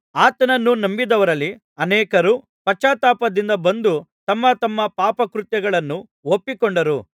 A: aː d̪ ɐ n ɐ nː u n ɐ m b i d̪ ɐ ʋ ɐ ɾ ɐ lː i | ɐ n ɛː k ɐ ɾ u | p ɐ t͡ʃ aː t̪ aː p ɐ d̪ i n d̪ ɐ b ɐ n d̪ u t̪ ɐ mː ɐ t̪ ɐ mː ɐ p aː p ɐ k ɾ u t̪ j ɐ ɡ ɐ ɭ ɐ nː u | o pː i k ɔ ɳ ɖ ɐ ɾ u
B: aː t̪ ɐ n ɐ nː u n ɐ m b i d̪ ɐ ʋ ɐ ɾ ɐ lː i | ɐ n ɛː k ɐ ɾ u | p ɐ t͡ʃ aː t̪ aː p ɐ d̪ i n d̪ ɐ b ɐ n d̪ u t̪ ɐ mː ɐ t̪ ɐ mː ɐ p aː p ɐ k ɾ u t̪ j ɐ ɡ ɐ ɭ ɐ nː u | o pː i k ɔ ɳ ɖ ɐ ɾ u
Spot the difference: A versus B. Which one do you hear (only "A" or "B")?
B